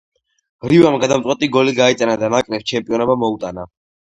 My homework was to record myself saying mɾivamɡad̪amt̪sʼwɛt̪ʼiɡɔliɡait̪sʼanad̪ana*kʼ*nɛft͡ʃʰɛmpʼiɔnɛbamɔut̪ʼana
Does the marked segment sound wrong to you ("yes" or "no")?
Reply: no